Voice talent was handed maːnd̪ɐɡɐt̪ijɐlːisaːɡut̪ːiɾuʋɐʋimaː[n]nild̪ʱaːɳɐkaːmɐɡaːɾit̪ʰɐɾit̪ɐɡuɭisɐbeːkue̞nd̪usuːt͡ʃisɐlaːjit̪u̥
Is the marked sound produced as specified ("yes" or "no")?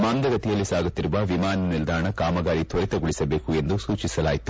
yes